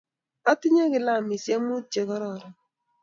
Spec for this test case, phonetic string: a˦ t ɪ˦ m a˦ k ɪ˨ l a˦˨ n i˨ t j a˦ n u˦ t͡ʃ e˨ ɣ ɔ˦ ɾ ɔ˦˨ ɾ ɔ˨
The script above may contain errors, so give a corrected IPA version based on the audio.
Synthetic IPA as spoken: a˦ t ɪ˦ ɲ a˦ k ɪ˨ l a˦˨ m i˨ s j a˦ m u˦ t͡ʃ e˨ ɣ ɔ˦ ɾ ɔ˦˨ ɾ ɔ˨